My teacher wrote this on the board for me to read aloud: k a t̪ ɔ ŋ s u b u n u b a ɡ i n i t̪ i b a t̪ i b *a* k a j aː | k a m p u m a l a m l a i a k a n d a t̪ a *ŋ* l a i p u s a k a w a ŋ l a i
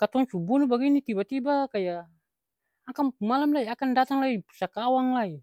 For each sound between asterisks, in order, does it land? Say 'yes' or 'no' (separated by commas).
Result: yes, yes